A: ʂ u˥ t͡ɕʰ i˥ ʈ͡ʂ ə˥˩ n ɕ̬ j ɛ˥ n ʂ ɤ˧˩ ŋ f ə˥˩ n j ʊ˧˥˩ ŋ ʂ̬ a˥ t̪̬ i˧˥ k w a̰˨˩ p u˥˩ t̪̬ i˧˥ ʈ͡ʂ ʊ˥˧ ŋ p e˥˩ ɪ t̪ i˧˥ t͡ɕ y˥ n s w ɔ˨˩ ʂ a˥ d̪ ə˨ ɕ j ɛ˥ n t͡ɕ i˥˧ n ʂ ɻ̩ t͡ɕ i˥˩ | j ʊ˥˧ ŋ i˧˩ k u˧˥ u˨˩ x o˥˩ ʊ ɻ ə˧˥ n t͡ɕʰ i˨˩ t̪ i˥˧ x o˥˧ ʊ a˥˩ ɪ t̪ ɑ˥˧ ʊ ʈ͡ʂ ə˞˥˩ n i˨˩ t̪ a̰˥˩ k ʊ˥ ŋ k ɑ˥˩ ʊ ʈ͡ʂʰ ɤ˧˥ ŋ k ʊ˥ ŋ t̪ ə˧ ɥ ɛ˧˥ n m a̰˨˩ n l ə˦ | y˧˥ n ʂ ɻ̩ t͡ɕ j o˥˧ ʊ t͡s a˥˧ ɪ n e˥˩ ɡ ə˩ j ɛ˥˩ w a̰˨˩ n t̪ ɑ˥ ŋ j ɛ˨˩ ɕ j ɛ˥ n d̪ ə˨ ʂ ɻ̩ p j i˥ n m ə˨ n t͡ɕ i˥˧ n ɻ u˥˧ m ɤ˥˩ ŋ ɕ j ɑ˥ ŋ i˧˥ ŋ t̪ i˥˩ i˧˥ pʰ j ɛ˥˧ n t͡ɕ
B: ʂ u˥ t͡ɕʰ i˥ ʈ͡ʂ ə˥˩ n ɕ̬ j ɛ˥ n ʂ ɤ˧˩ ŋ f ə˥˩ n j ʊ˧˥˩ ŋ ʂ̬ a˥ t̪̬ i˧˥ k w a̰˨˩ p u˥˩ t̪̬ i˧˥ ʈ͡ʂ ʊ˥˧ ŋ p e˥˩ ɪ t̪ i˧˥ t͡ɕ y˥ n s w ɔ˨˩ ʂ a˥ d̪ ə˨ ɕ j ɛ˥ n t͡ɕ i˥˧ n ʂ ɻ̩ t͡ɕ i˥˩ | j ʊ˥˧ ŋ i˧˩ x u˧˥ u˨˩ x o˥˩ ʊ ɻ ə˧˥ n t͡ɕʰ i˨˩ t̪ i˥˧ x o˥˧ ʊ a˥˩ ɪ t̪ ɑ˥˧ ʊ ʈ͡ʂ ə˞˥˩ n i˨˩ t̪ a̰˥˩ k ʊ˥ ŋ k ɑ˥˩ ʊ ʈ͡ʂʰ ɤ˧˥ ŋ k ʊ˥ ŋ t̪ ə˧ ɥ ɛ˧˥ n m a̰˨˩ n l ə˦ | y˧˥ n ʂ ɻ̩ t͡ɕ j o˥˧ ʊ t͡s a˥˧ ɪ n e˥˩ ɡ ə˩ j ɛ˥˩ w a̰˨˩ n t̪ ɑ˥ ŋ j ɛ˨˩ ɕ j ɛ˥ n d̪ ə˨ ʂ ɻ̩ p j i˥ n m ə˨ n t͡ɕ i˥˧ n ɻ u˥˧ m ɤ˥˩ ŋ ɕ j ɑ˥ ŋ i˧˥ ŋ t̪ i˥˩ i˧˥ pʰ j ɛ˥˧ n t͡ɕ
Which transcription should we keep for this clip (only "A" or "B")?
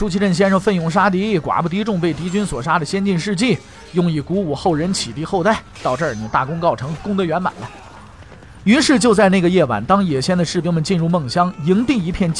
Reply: A